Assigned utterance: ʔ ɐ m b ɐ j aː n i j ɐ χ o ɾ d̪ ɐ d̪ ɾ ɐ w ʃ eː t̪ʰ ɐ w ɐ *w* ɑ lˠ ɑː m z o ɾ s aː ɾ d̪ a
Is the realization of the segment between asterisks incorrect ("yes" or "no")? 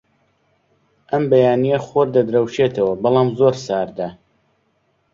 yes